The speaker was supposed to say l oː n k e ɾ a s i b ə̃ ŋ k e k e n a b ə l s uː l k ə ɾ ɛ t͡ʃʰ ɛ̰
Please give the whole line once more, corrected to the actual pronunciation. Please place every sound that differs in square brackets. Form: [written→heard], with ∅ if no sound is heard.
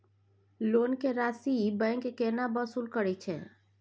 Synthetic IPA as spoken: l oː n k e ɾ a s i b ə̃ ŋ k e k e n a b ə [l→∅] s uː l k ə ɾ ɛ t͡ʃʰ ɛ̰